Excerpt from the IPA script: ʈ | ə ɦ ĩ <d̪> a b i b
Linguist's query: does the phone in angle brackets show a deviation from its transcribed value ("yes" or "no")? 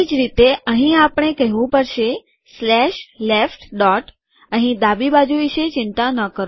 no